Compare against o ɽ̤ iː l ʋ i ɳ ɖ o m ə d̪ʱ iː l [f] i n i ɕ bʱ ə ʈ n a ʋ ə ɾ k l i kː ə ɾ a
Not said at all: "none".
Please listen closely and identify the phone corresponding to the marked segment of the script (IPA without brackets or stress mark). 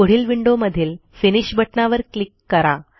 f